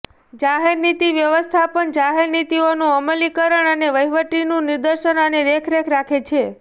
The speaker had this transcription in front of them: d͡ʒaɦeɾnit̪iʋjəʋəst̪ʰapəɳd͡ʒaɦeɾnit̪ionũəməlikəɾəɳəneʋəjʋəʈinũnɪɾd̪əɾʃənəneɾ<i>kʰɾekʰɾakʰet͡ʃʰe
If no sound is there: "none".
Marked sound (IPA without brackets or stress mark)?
e